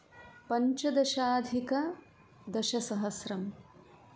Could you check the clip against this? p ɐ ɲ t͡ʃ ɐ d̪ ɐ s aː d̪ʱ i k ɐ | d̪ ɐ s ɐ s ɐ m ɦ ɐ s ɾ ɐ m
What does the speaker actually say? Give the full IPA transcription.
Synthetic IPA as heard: p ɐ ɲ t͡ʃ ɐ d̪ ɐ ʃ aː d̪ʱ i k ɐ | d̪ ɐ ʃ ɐ s ɐ ɦ ɐ s ɾ ɐ m